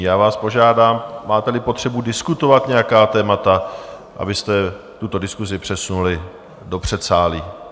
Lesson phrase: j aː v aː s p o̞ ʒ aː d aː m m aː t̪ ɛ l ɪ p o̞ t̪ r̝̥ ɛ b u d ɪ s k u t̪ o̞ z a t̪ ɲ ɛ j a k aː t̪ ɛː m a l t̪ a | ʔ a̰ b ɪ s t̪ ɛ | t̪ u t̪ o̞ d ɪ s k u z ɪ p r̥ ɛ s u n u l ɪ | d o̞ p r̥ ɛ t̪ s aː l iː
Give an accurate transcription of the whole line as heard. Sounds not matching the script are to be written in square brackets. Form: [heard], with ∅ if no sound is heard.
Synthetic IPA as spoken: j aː v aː s p o̞ ʒ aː d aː m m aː t̪ ɛ l ɪ p o̞ t̪ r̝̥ ɛ b u d ɪ s k u t̪ o̞ [v] a t̪ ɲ ɛ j a k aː t̪ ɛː m a [∅] t̪ a | ʔ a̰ b ɪ s t̪ ɛ | t̪ u t̪ o̞ d ɪ s k u z ɪ p r̥ ɛ s u n u l ɪ | d o̞ p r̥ ɛ t̪ s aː l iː